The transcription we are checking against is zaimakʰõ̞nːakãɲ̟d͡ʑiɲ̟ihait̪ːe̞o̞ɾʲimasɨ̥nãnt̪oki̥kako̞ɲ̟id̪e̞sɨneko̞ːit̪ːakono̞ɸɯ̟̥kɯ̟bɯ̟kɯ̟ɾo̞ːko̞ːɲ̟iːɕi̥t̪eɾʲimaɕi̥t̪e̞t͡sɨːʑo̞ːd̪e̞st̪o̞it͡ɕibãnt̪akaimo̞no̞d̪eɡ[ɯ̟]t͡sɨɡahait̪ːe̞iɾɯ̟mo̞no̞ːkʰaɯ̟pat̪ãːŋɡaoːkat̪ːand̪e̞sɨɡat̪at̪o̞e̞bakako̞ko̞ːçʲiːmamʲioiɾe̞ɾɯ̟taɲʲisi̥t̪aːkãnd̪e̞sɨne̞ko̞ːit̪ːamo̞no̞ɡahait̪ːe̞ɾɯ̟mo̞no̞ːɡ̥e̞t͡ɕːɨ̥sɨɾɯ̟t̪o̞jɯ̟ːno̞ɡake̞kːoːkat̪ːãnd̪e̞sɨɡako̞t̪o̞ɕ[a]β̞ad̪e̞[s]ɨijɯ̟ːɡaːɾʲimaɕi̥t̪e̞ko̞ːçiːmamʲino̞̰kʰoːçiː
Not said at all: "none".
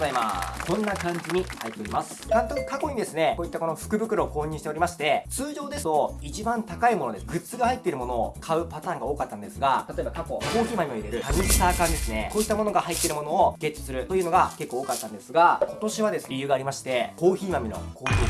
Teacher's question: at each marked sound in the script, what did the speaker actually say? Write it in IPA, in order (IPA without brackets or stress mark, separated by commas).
ɯ̟, i, s